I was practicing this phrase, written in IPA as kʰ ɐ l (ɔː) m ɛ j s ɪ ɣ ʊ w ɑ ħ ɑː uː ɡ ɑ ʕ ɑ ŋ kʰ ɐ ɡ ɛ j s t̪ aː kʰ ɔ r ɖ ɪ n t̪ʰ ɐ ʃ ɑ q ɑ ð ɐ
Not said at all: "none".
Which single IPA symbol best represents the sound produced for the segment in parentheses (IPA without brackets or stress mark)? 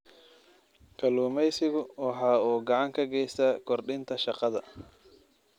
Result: uː